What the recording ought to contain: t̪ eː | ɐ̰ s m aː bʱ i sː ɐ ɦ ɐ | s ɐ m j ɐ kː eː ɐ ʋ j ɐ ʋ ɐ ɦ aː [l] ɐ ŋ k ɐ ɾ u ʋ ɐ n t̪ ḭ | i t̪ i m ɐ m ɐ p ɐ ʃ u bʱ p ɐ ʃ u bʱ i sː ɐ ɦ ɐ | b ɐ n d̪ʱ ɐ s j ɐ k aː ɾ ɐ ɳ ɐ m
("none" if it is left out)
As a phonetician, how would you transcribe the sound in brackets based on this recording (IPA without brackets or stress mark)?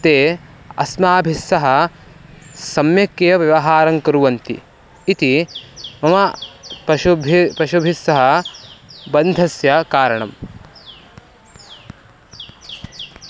ɾ